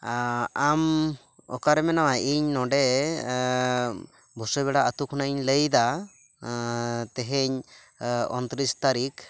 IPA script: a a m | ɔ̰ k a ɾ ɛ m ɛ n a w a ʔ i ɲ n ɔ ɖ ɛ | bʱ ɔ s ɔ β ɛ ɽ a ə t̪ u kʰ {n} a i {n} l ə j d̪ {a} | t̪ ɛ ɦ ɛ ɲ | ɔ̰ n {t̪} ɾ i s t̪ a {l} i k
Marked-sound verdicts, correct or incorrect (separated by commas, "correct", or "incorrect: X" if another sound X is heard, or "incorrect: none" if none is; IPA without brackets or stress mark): correct, incorrect: ɲ, correct, correct, incorrect: ɾ